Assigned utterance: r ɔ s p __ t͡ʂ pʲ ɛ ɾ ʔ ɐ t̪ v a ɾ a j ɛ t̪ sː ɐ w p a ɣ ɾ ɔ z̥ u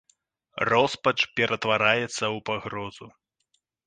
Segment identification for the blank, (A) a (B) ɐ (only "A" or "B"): B